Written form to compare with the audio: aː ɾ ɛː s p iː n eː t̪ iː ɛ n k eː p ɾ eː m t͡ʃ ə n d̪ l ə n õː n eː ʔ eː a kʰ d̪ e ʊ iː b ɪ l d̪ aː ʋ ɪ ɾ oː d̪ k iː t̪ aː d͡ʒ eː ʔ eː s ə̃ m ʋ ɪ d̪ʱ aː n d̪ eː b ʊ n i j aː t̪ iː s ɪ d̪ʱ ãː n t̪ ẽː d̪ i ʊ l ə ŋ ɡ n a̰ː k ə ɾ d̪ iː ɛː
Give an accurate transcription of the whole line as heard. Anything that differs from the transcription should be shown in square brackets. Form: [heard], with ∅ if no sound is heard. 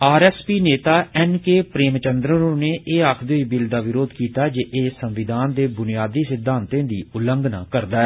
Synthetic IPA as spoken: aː ɾ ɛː s p iː n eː t̪ [aː] ɛ n k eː p ɾ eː m t͡ʃ ə n d̪ [ɾ] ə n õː n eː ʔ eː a kʰ d̪ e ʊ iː b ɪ l d̪ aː ʋ ɪ ɾ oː d̪ k iː t̪ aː d͡ʒ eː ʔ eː s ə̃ m ʋ ɪ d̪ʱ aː n d̪ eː b ʊ n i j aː [d̪] iː s ɪ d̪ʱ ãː n t̪ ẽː d̪ [iː] ʊ l ə ŋ ɡ n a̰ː k ə ɾ d̪ [aː] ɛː